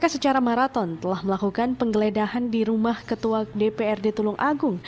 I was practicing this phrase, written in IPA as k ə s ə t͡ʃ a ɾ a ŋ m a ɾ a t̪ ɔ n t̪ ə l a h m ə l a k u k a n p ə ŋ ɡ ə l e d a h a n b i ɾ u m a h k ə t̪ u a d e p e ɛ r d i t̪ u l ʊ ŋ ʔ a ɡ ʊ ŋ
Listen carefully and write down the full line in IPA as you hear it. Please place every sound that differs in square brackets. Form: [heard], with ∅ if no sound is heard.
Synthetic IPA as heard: k [a] s ə t͡ʃ a ɾ a [∅] m a ɾ a t̪ ɔ n t̪ ə l a h m ə l a k u k a n p ə ŋ ɡ ə l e d a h a n [d] i ɾ u m a h k ə t̪ u a d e p e ɛ r d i t̪ u l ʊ ŋ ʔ a ɡ ʊ ŋ